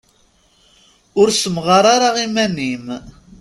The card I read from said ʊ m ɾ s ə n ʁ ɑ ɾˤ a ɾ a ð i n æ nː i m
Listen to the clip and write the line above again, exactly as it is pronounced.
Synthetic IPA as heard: ʊ ɾ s ə m ʁ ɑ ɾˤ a ɾ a ʁ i m æ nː i m